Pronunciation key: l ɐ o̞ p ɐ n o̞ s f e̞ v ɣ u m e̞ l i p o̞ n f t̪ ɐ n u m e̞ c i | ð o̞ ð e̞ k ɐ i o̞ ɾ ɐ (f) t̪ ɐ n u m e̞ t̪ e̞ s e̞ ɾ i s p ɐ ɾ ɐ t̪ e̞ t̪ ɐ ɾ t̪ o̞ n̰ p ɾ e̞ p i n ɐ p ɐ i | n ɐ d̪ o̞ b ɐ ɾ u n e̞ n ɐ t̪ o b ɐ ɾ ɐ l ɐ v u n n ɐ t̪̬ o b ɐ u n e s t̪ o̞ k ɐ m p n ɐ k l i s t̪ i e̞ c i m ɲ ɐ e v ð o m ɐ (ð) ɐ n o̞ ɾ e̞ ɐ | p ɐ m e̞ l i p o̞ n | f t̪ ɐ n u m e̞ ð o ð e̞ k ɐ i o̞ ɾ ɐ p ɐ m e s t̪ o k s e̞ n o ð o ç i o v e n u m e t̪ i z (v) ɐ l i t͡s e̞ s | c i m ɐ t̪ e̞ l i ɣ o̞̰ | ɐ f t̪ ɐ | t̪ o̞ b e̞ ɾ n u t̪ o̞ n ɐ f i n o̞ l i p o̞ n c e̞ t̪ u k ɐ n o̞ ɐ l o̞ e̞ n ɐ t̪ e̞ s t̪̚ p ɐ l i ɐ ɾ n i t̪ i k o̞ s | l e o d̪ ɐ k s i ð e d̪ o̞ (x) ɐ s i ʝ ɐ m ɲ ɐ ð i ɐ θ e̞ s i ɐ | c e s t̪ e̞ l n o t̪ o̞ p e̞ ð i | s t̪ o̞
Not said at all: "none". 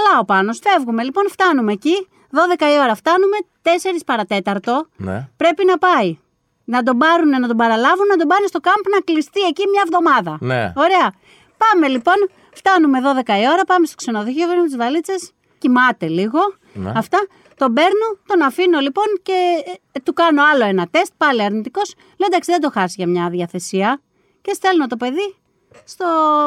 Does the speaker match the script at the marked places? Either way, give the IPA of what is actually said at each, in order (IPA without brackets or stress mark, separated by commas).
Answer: f, ð, v, x